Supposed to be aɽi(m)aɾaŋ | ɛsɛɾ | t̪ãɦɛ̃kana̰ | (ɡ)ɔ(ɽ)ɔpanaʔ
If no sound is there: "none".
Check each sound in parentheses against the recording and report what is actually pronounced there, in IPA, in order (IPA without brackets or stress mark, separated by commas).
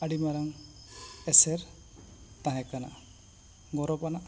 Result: m, ɡ, ɾ